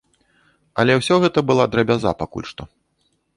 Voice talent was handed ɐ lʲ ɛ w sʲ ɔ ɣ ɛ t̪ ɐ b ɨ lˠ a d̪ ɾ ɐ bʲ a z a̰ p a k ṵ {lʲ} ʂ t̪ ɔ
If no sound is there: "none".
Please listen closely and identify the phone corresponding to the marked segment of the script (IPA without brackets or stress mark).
lʲ